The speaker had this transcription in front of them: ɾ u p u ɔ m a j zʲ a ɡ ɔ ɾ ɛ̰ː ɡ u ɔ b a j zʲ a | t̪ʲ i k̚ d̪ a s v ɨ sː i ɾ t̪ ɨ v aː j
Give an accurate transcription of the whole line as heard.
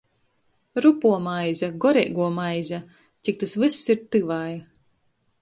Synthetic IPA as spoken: ɾ u p u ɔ m a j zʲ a ɡ ɔ ɾ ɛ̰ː ɡ u ɔ m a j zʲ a | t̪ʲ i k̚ t̪ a s v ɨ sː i ɾ t̪ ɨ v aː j